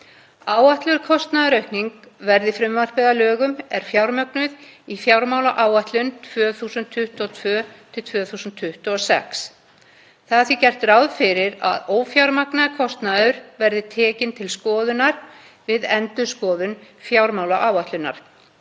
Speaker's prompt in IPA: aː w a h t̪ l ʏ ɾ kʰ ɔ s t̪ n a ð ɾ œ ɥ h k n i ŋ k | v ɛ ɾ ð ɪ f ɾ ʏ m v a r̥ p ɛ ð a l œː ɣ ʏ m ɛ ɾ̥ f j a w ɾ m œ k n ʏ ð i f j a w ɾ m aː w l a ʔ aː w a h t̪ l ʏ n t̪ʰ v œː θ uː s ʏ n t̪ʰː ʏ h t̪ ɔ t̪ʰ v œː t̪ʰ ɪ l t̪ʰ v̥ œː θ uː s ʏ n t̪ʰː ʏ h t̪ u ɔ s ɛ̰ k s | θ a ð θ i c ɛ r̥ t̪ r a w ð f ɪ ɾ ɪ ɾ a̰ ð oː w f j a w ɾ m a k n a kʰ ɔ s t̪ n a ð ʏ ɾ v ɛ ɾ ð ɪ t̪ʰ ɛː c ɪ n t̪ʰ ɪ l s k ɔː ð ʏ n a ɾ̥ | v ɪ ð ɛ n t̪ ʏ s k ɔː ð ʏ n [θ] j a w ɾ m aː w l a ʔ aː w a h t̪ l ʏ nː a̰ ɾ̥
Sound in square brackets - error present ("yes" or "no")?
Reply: yes